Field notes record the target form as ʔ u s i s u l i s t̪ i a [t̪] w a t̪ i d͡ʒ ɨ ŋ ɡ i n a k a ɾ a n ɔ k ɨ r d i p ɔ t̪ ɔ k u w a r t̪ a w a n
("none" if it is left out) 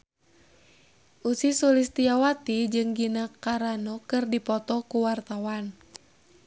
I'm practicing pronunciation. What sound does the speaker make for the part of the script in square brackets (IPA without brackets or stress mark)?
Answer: none